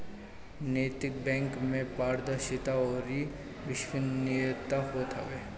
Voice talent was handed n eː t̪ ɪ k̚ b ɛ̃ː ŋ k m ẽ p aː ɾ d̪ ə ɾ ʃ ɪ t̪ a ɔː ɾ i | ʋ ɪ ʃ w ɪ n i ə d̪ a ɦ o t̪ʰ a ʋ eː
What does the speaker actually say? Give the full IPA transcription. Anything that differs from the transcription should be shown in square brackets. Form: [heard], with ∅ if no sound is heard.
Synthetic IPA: n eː t̪ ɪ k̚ b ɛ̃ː ŋ k m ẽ p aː ɾ d̪ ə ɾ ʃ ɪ t̪ a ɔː ɾ i | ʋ ɪ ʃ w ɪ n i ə [t̪] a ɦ o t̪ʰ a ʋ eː